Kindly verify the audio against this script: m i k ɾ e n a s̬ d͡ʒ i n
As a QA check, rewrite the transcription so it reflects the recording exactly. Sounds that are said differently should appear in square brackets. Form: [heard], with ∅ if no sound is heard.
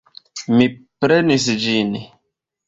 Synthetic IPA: m i [p] ɾ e n [i] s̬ d͡ʒ i n